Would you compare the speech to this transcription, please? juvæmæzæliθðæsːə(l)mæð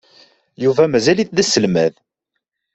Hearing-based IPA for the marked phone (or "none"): l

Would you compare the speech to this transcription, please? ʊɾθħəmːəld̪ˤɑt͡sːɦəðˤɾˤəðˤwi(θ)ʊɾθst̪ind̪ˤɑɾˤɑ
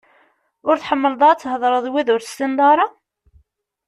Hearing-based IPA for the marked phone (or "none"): ð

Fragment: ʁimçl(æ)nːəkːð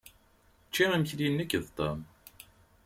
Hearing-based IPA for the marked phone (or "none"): i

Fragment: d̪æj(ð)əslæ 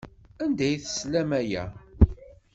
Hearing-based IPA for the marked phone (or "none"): θ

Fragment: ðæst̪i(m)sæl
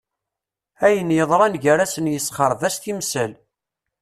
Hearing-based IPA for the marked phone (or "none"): m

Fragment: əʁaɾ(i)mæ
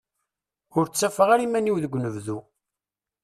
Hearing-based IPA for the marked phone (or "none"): i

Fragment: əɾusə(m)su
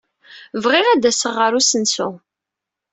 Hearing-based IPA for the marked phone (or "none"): n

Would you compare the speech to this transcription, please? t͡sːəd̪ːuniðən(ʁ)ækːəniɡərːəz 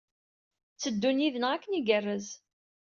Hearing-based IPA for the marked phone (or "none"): ʁ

